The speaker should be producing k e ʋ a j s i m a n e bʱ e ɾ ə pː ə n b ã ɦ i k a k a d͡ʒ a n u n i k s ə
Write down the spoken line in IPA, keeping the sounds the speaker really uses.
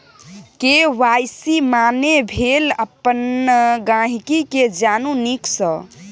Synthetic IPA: k e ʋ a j s i m a n e bʱ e l ə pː ə n ɡ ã ɦ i k i k e d͡ʒ a n u n i k s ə